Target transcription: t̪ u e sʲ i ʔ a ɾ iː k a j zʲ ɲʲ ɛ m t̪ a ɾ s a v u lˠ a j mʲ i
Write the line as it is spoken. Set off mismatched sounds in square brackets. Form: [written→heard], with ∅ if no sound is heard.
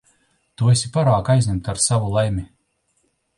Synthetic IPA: t̪ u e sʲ i [ʔ→p] a ɾ [iː→aː] k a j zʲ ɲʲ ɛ m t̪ a ɾ s a v u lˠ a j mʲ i